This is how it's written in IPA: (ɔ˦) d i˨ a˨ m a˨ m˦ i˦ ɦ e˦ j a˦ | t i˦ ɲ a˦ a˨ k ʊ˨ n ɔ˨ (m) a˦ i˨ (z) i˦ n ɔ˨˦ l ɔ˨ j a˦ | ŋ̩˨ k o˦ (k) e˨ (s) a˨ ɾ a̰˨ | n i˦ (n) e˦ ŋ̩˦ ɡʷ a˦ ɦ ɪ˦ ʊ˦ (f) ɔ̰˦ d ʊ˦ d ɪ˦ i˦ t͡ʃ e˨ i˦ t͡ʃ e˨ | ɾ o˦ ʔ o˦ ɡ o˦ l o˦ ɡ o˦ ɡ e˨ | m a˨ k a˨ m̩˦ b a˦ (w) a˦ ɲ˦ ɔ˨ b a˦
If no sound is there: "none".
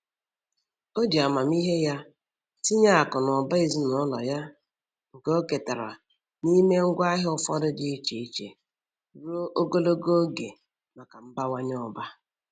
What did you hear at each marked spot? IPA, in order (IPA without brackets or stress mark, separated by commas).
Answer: o˦, b, z, k, t, m, f, w